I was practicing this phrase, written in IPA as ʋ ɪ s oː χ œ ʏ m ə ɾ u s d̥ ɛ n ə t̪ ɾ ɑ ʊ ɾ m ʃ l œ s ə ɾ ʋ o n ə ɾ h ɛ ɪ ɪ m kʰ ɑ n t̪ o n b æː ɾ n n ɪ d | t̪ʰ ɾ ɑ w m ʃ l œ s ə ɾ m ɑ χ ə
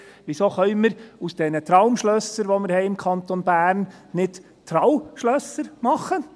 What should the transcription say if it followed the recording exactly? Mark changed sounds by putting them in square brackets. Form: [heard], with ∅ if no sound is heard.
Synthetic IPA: ʋ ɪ s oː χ œ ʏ m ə ɾ u s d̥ ɛ n ə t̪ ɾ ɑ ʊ [∅] m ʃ l œ s ə ɾ ʋ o [m] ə ɾ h ɛ ɪ ɪ m kʰ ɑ n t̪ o n b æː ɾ n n ɪ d | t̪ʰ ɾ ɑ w m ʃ l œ s ə ɾ m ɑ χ ə